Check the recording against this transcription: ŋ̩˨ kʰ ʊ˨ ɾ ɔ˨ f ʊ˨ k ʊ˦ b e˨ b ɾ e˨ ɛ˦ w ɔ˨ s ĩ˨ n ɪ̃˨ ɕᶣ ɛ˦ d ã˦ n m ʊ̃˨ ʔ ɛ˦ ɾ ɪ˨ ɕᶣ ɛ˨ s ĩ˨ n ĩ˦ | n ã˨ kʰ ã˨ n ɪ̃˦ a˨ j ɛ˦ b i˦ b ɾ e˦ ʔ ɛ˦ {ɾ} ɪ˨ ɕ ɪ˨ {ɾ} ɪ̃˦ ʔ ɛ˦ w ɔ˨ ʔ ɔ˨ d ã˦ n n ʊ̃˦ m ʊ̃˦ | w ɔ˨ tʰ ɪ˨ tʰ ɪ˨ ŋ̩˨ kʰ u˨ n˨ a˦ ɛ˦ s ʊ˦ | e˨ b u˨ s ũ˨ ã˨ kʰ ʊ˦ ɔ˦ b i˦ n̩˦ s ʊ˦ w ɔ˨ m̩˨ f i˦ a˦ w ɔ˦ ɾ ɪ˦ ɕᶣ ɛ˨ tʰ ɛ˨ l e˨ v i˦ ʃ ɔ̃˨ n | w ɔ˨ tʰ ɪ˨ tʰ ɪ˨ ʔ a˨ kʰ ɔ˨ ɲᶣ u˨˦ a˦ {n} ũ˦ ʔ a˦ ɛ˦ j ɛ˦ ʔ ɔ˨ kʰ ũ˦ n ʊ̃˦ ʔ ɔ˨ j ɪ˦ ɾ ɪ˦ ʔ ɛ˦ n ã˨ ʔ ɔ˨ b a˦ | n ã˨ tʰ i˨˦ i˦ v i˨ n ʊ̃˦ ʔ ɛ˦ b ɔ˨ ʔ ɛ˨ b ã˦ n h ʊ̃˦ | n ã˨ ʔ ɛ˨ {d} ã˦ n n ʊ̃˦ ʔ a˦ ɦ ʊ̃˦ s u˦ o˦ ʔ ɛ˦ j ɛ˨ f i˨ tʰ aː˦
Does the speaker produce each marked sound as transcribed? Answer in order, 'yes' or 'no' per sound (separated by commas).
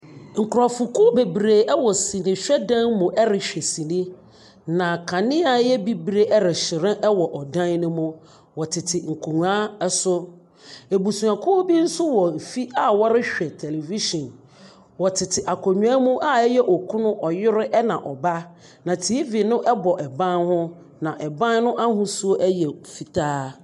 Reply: yes, yes, no, no